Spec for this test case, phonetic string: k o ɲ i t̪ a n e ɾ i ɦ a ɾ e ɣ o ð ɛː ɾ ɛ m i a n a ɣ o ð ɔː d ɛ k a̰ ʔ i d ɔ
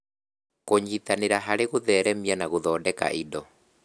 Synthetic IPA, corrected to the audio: k o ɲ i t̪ a n e ɾ a ɦ a ɾ e ɣ o ð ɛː ɾ ɛ m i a n a ɣ o ð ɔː d ɛ k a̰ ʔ i d ɔ

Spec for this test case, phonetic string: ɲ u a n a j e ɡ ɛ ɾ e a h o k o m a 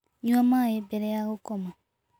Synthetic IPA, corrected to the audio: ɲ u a m a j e b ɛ ɾ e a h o k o m a

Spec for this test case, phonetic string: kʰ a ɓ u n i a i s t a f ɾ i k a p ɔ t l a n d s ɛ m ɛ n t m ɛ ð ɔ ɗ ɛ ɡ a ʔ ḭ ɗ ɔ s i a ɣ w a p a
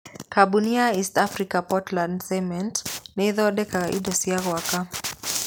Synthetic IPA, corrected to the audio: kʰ a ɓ u n i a i s t a f ɾ i k a p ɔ t l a n d s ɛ m ɛ n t n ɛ ð ɔ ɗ ɛ k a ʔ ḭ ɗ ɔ s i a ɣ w a k a

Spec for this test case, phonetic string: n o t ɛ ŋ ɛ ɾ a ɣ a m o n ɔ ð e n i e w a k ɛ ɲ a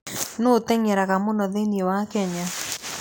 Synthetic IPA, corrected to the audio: n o t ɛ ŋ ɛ ɾ a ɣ a m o n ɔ ð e n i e w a k ɛ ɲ a

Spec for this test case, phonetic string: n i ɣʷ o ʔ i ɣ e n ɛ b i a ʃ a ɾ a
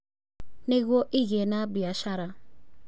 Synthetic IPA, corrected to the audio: n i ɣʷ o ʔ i ɣ e n a b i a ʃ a ɾ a

